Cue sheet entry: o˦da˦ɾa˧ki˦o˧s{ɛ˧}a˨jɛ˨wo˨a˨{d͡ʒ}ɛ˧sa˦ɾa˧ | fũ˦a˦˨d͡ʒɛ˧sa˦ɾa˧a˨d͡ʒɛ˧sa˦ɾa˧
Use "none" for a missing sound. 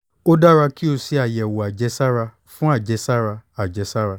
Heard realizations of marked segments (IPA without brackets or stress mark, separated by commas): i˧, d͡ʒ